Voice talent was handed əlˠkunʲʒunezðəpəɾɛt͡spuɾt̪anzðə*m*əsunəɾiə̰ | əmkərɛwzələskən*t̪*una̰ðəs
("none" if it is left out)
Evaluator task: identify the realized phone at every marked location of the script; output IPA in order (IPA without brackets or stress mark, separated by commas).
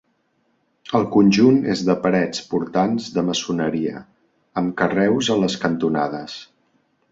m, t̪